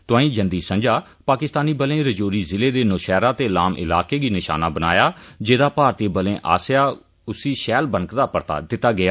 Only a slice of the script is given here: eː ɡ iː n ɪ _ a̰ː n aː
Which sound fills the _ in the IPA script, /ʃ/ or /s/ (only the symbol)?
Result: ʃ